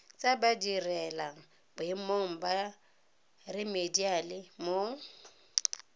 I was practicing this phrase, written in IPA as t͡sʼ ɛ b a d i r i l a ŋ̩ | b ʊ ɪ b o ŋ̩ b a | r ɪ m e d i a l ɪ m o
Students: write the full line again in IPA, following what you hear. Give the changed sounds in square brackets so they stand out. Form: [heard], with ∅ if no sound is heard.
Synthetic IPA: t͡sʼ [a] b a d i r [ɛ] l a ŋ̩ | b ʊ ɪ [m] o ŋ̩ b a | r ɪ m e d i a l ɪ m o